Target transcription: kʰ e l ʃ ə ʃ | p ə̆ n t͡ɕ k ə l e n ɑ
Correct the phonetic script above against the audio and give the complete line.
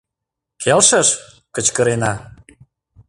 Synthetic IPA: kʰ e l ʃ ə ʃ | k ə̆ t͡ɕ k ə ɾ e n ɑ